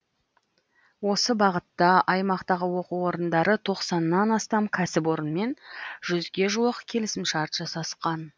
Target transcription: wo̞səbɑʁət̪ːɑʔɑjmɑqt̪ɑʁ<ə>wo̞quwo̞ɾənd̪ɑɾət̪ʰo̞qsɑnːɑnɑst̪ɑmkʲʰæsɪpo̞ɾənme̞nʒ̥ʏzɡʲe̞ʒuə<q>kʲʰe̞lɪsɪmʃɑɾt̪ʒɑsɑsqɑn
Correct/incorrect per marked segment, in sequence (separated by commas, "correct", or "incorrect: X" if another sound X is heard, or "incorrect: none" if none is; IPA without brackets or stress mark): correct, correct